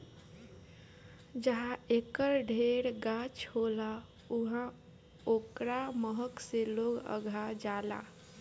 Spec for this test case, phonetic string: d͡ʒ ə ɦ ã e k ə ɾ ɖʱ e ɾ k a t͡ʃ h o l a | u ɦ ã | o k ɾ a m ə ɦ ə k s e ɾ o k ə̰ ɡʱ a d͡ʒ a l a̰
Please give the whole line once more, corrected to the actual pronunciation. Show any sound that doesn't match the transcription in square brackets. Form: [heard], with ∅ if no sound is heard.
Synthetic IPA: d͡ʒ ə ɦ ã e k ə ɾ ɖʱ e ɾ [ɡ] a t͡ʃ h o l a | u ɦ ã | o k ɾ a m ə ɦ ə k s e [l] o [ɡ] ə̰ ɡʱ a d͡ʒ a l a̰